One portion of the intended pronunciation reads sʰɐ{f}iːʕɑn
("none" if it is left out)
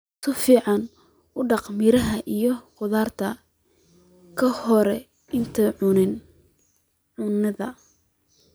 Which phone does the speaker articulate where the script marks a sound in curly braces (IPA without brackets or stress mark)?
f